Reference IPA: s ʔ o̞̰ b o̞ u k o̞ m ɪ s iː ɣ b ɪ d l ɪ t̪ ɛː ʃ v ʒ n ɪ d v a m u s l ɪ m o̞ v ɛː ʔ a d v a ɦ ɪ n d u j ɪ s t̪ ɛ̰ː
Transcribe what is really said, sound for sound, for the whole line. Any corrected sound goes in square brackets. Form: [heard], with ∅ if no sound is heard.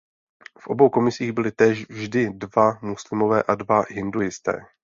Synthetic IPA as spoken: [f] ʔ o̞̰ b o̞ [w] k o̞ m ɪ s iː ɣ b ɪ [∅] l ɪ t̪ ɛː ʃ v ʒ [d] ɪ d v a m u s l ɪ m o̞ v ɛː ʔ a d v a ɦ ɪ n d u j ɪ s t̪ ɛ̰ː